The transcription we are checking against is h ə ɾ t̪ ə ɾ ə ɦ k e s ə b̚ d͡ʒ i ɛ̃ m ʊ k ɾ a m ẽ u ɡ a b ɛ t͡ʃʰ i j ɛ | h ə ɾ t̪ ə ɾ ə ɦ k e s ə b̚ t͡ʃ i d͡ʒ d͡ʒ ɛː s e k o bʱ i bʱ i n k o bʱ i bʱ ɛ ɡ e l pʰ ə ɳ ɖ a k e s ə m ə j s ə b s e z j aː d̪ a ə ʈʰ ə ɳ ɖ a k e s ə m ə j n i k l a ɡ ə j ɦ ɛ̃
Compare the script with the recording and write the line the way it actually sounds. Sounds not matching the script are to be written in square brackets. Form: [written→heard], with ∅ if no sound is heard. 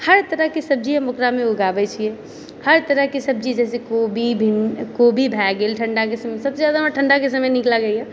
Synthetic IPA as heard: h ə ɾ t̪ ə ɾ ə ɦ k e s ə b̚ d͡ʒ i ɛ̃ m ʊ k ɾ a m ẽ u ɡ a b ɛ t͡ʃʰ i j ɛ | h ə ɾ t̪ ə ɾ ə ɦ k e s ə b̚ t͡ʃ i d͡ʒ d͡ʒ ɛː s e k o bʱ i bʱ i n k o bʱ i bʱ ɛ ɡ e l [pʰ→ʈʰ] ə ɳ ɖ a k e s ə m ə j s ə b s e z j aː d̪ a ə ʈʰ ə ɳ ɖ a k e s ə m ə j n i k l a ɡ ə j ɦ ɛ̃